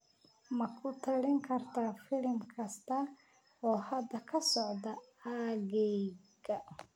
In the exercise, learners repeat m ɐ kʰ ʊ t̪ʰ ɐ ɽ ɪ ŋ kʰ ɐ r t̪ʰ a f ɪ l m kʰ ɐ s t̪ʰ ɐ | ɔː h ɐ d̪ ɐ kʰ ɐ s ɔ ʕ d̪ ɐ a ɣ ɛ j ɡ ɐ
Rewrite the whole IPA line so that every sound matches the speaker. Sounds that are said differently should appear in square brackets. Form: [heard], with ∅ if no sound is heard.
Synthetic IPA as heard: m ɐ kʰ ʊ t̪ʰ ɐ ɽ ɪ ŋ kʰ ɐ r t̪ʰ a f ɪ l m kʰ ɐ s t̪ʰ ɐ | ɔː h ɐ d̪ ɐ kʰ ɐ s ɔ ʕ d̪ ɐ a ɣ ɛ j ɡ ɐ